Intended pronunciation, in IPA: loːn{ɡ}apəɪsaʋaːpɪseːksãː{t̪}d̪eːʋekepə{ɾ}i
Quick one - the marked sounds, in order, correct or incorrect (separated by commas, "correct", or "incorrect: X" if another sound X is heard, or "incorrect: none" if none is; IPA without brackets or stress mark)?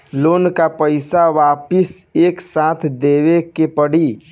incorrect: k, incorrect: t̪ʰ, incorrect: ɽ